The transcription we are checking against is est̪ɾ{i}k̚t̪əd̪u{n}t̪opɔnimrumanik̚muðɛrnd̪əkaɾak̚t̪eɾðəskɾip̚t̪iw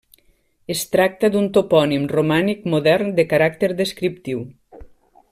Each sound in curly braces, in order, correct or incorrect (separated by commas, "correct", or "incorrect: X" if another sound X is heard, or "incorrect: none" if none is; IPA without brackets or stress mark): incorrect: a, correct